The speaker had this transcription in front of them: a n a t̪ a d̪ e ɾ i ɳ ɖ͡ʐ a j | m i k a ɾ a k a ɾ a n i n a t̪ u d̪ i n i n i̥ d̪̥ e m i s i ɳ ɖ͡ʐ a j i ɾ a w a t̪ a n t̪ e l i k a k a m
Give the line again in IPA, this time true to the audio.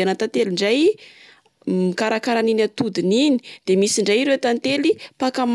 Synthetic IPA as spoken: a n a t̪ a t̪ e l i ɳ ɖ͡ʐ a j | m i k a ɾ a k a ɾ a n i n a t̪ u d̪ i n i n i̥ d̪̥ e m i s i ɳ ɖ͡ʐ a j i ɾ e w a t̪ a n t̪ e l i p a k a m